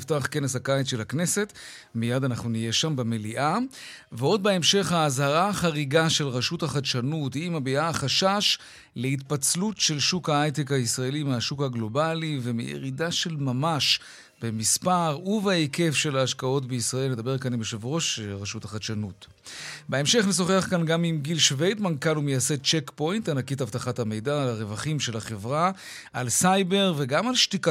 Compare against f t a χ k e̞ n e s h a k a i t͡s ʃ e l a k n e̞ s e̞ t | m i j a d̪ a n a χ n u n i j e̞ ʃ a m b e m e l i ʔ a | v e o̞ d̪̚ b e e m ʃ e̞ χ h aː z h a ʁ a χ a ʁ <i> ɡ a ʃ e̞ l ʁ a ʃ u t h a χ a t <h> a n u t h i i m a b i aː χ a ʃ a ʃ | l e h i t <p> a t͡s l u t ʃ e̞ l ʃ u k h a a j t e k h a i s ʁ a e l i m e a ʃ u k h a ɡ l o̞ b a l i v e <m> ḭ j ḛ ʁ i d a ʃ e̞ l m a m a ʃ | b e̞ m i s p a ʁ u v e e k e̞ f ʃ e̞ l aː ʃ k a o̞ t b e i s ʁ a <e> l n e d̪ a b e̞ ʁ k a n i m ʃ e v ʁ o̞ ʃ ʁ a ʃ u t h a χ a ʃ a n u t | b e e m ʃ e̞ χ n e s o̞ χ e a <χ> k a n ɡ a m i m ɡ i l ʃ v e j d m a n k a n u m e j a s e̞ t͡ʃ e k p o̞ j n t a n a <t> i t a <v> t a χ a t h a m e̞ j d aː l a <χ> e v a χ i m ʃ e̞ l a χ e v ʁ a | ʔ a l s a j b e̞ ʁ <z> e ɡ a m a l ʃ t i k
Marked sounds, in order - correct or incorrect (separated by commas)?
correct, incorrect, correct, correct, correct, correct, incorrect, correct, incorrect, incorrect